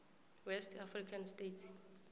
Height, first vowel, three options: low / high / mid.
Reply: mid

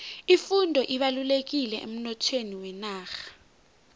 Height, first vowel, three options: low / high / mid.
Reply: high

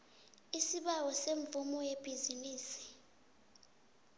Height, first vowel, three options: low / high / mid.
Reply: high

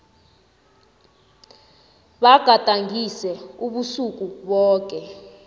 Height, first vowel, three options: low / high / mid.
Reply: low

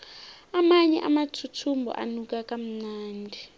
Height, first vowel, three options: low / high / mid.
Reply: low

